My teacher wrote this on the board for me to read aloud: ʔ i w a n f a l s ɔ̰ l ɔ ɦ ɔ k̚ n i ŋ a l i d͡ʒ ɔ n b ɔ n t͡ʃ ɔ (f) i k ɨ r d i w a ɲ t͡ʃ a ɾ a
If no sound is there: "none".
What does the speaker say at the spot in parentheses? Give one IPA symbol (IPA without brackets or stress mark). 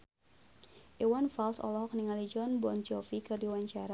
f